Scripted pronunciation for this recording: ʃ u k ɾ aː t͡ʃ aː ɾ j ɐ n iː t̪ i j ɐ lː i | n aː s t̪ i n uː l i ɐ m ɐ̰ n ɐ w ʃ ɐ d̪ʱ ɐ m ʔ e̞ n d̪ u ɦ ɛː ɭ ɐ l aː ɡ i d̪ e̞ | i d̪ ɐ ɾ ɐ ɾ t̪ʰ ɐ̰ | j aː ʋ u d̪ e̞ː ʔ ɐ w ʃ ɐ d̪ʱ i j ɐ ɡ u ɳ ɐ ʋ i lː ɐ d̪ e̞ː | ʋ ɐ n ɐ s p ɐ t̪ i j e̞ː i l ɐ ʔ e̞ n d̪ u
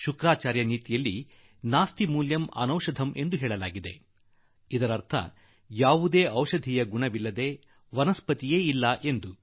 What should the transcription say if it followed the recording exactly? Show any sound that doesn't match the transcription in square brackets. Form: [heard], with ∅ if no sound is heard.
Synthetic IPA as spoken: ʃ u k ɾ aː t͡ʃ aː ɾ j ɐ n iː t̪ i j ɐ lː i | n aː s t̪ i [m] uː l [j] ɐ m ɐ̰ n ɐ w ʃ ɐ d̪ʱ ɐ m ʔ e̞ n d̪ u ɦ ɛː ɭ ɐ l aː ɡ i d̪ e̞ | i d̪ ɐ ɾ ɐ ɾ t̪ʰ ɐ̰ | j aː ʋ u d̪ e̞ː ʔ ɐ w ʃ ɐ d̪ʱ i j ɐ ɡ u ɳ ɐ ʋ i lː ɐ d̪ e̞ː | ʋ ɐ n ɐ s p ɐ t̪ i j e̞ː i [lː] ɐ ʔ e̞ n d̪ u